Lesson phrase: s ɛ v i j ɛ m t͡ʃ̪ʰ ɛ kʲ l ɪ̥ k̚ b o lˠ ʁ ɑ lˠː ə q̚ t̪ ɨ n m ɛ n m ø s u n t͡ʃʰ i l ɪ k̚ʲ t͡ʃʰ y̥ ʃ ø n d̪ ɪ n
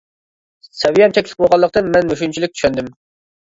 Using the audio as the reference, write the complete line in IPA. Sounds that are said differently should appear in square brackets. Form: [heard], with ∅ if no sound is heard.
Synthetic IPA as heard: s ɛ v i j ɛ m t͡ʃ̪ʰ ɛ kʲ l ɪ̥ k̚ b o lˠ ʁ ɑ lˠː ə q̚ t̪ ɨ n m ɛ n m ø [ʃ] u n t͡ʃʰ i l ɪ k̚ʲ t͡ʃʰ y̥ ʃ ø n d̪ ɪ [m]